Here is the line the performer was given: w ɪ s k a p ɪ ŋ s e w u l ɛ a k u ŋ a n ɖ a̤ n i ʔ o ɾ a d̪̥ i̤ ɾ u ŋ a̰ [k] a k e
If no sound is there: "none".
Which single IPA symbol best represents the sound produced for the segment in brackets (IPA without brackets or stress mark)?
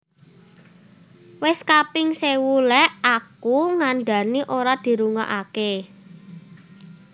ʔ